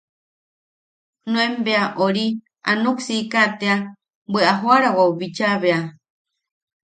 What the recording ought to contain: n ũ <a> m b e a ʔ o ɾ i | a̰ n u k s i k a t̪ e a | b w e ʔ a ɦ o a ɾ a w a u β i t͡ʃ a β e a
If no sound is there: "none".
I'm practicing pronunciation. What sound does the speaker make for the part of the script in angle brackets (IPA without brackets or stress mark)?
e